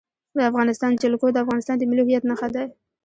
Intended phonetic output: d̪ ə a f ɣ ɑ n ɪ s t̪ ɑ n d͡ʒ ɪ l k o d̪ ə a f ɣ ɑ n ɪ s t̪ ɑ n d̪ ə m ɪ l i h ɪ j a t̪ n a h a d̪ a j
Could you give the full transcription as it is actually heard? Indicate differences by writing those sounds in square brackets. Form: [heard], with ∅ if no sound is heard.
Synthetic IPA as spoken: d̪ ə a f ɣ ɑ n ɪ s t̪ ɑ n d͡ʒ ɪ l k o d̪ ə a f ɣ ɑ n ɪ s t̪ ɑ n d̪ ə m ɪ l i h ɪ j a t̪ n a [x] a d̪ a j

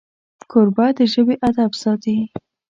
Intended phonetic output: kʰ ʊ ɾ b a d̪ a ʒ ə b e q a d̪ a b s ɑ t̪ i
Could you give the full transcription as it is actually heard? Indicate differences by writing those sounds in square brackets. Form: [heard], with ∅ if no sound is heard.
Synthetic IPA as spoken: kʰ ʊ ɾ b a d̪ [ə] ʒ ə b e [ʔ] a d̪ a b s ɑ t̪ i

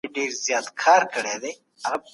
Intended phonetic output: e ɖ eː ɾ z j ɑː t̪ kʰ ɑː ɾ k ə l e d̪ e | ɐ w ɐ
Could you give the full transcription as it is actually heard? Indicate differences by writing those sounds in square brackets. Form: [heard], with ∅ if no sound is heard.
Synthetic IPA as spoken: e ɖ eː ɾ z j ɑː t̪ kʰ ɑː ɾ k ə [ɽ] e d̪ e | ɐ [ɣ] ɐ

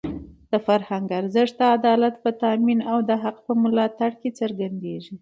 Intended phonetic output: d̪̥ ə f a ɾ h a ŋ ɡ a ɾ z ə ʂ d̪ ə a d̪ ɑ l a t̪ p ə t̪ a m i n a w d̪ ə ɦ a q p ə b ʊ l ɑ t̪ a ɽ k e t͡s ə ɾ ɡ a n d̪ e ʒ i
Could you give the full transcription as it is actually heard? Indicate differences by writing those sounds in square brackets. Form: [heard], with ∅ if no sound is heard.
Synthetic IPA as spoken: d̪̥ ə f a ɾ h a ŋ ɡ a ɾ z ə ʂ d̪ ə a d̪ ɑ l a t̪ p ə t̪ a m i n a w d̪ ə ɦ a q p ə [m] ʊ l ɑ t̪ a ɽ k e t͡s ə ɾ ɡ a n d̪ e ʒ i

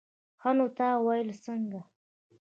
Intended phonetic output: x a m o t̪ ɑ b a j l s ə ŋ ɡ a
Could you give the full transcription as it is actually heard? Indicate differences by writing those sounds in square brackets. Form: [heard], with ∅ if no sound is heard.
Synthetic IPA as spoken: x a [n] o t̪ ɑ [w] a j l s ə ŋ ɡ a

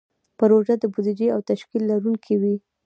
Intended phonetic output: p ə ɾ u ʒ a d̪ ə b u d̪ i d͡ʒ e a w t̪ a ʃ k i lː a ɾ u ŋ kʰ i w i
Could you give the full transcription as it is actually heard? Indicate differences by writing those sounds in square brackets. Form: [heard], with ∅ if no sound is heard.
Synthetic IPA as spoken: p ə ɾ [o] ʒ a d̪ ə b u d̪ i d͡ʒ e a w t̪ a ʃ k i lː a ɾ u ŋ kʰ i w i

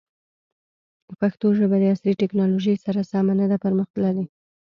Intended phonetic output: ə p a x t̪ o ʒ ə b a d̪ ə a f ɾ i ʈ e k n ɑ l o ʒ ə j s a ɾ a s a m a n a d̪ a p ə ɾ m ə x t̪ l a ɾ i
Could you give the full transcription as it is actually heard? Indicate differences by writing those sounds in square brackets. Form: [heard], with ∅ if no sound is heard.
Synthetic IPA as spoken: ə p a x t̪ o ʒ ə b a d̪ ə a [s] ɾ i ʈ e k n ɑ l o ʒ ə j s a ɾ a s [ɑ] m a n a d̪ a p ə ɾ m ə x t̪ l a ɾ i

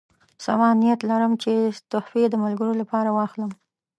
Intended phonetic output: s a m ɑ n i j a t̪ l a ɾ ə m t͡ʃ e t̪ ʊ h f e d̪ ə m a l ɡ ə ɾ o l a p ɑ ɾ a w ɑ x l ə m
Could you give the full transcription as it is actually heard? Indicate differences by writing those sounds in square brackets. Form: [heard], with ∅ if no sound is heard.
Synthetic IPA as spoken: s a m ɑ n i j a t̪ l a ɾ ə m t͡ʃ e t̪ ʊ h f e d̪ ə m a l ɡ ə ɾ o l a p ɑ ɾ a w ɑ x l ə m

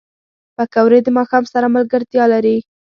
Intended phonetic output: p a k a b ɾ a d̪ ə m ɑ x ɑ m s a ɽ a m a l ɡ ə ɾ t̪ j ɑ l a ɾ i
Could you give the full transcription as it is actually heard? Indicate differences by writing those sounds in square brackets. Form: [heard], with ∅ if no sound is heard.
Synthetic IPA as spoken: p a k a [w] ɾ [e] d̪ ə m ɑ x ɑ m s a [ɾ] a m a l ɡ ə ɾ t̪ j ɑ l a ɾ i

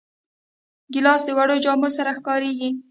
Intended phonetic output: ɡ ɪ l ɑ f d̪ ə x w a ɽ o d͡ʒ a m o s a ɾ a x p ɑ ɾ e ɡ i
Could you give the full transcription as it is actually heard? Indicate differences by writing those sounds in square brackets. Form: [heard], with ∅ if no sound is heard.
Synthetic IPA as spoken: ɡ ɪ l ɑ [s] d̪ ə [∅] w a ɽ o d͡ʒ [ɑ] m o s a ɾ a x [k] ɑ ɾ e ɡ i

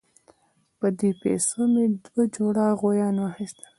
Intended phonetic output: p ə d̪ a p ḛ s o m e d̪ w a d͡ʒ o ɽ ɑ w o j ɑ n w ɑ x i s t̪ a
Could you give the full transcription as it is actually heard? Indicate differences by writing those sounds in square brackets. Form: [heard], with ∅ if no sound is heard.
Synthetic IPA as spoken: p ə d̪ [e] p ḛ s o m e d̪ w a d͡ʒ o ɽ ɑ [ɣ] o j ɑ n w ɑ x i s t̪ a

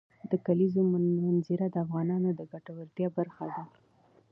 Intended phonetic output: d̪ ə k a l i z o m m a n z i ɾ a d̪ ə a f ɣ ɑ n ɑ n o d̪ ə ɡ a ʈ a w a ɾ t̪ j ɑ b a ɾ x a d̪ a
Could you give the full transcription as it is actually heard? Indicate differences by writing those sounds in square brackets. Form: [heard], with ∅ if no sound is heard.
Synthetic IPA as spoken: d̪ ə k a l i z o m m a n z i ɾ a d̪ ə a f ɣ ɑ n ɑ n o d̪ ə ɡ a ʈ a w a ɾ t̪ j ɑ b a ɾ x a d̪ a

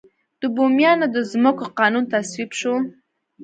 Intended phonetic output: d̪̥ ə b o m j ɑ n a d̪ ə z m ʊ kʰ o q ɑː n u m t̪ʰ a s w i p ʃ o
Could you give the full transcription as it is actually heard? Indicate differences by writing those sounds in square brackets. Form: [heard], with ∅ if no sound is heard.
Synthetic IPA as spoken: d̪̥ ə b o m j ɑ n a d̪ ə z m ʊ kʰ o q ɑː n u [n] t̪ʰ a s w i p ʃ o

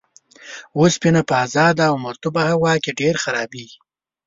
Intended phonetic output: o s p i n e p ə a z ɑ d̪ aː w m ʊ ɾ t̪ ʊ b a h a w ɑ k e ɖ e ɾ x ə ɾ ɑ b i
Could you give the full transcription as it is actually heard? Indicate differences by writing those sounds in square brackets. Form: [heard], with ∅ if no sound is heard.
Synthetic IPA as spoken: o s p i n [a] p ə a z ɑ d̪ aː w m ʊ ɾ t̪ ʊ b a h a w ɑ k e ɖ e ɾ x [a] ɾ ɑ b i

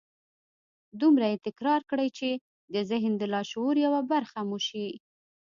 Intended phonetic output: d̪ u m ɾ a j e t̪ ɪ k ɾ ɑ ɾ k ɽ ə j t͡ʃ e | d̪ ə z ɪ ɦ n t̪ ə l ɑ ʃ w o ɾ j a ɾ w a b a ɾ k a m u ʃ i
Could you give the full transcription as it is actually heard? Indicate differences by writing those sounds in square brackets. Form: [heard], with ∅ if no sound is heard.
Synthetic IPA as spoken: d̪ u m ɾ a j e t̪ ɪ k ɾ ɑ ɾ k ɽ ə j t͡ʃ e | d̪ ə z ɪ ɦ n [d̪] ə l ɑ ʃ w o ɾ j a [∅] w a b a ɾ [x] a m u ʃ i

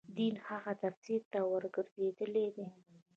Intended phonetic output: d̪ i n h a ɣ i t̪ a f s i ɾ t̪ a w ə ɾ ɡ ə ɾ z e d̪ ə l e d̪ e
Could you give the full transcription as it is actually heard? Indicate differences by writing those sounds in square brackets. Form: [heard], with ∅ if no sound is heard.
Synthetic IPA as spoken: d̪ i n h a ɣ [a] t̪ a f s i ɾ t̪ a w ə ɾ ɡ ə ɾ z e d̪ ə l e d̪ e

